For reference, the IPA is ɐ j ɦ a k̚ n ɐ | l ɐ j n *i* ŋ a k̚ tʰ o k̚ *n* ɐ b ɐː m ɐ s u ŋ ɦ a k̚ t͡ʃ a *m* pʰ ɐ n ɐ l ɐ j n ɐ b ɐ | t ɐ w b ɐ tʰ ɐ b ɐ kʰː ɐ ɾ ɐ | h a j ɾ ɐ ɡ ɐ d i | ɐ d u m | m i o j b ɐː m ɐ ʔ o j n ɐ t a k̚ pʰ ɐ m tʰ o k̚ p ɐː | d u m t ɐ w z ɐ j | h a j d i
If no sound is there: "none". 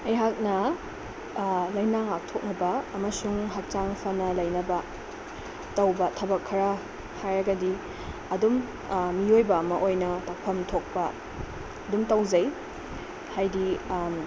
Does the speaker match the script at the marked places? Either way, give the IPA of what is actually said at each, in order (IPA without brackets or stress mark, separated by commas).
a, n, ŋ